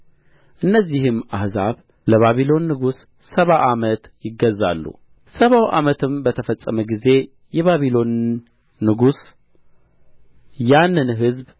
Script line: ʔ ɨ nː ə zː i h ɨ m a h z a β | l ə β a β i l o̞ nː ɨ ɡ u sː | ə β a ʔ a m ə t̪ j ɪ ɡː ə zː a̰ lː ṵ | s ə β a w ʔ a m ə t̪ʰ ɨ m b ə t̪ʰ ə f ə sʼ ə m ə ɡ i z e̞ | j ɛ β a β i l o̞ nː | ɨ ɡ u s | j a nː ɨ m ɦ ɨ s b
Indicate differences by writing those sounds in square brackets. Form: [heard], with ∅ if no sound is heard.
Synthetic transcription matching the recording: ʔ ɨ nː ə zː i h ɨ m a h z a β | l ə β a β i l o̞ nː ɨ ɡ u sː | ə β a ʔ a m ə t̪ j ɪ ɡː ə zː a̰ lː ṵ | s ə β a w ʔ a m ə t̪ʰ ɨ m b ə t̪ʰ ə f ə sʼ ə m ə ɡ i z e̞ | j ɛ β a β i l o̞ nː | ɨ ɡ u s | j a nː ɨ [n] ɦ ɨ [z] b